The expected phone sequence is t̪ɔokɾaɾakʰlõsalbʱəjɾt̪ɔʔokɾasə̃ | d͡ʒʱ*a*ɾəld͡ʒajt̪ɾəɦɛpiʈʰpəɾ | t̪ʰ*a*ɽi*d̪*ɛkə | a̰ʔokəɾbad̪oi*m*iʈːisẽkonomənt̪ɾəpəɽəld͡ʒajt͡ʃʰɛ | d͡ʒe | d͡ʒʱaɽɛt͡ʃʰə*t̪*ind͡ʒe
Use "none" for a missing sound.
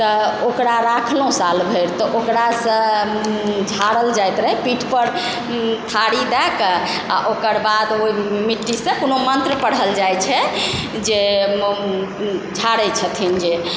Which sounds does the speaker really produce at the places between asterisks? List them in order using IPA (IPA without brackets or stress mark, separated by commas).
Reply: a, a, d̪, m, t̪ʰ